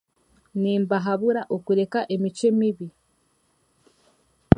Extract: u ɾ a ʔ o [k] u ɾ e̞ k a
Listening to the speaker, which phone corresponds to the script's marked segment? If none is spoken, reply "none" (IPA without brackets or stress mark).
k